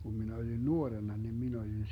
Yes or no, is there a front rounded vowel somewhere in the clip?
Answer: no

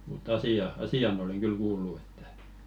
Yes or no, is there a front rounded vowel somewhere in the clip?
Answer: yes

